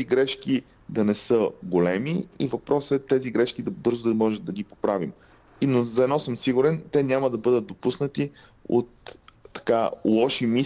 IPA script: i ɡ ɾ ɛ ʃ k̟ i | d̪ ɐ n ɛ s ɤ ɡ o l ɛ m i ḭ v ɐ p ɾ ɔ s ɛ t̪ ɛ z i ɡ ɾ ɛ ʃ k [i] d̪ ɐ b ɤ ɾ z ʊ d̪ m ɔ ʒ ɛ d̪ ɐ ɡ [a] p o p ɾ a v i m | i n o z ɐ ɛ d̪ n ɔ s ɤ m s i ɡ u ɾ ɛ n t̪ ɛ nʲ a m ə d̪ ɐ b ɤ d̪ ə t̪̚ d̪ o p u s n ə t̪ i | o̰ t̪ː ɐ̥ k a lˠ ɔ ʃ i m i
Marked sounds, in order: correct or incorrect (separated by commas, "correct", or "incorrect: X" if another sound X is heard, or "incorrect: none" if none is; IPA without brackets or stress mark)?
correct, incorrect: i